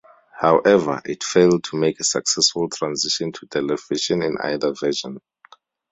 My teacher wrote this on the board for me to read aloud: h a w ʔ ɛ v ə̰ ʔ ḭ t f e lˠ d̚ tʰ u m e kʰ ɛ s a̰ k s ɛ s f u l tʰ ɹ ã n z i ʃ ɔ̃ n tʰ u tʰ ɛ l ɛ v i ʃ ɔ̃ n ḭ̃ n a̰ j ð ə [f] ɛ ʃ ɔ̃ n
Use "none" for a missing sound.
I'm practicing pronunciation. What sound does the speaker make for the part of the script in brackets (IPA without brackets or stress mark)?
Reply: v